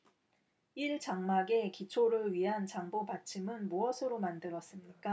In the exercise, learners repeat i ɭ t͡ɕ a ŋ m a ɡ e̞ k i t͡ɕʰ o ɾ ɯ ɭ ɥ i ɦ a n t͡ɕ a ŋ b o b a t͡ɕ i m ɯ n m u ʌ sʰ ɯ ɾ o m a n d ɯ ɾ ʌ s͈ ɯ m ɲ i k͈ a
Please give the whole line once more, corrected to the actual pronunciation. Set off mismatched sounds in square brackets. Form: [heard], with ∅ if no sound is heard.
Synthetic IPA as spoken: i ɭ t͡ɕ a ŋ m a ɡ e̞ k i t͡ɕʰ o ɾ ɯ ɭ ɥ i ɦ a n t͡ɕ a ŋ b o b a [t͡ɕʰ] i m ɯ n m u ʌ sʰ ɯ ɾ o m a n d ɯ ɾ ʌ s͈ ɯ m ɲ i k͈ a